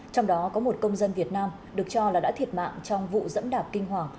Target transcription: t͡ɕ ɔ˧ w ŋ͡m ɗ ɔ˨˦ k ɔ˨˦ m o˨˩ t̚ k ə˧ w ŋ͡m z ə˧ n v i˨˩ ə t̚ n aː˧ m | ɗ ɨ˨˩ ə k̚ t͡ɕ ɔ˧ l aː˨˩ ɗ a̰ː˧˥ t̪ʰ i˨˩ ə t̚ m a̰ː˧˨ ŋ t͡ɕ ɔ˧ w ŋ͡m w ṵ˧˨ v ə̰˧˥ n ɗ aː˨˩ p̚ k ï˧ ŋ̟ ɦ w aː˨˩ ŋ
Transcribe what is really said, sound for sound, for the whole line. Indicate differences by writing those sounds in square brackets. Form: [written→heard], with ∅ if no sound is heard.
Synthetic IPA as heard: t͡ɕ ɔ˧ w ŋ͡m ɗ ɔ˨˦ k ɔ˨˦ m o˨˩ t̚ k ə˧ w ŋ͡m z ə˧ n v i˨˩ ə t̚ n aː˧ m | ɗ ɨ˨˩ ə k̚ t͡ɕ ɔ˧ l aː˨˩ ɗ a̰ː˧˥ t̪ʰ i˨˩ ə t̚ m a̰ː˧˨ ŋ t͡ɕ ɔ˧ w ŋ͡m [w→v] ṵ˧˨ [v→z] ə̰˧˥ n ɗ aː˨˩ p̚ k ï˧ ŋ̟ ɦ w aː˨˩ ŋ